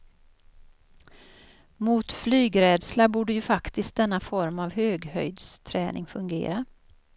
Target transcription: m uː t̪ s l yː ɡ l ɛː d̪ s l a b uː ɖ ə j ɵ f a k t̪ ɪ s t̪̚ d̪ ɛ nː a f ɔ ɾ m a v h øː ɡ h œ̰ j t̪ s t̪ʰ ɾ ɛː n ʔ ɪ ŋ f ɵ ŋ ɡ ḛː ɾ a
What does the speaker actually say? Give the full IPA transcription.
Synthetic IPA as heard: m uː t̪ f l yː ɡ ɾ ɛː d̪ s l a b uː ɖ ə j ɵ f a k t̪ ɪ s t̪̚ d̪ ɛ nː a f ɔ ɾ m a v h øː ɡ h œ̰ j d̪ s t̪ʰ ɾ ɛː n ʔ ɪ ŋ f ɵ ŋ ɡ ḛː ɾ a